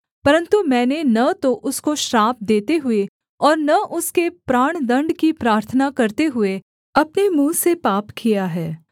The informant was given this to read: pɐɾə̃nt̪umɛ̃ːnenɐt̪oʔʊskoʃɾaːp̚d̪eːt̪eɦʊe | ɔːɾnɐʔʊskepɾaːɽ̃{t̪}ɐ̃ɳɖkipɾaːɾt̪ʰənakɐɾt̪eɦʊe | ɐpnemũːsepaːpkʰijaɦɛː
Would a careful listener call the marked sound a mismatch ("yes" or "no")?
yes